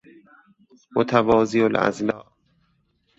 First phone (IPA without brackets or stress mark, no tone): m